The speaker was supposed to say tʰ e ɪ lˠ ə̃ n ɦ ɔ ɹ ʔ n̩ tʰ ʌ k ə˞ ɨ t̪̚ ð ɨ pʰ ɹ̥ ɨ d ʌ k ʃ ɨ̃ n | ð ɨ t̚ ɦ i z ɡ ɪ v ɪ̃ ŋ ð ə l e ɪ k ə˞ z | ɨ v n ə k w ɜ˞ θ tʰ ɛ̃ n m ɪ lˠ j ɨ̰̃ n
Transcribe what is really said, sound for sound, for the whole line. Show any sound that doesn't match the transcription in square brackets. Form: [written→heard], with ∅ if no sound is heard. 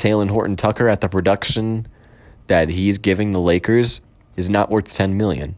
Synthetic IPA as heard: tʰ e ɪ lˠ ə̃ n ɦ ɔ ɹ ʔ n̩ tʰ ʌ k ə˞ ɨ t̪̚ ð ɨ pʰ ɹ̥ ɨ d ʌ k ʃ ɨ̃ n | ð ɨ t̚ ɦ i z ɡ ɪ v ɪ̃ ŋ ð ə l e ɪ k ə˞ z | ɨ [v→z] n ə [k→ʔ] w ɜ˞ θ tʰ ɛ̃ n m ɪ lˠ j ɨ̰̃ n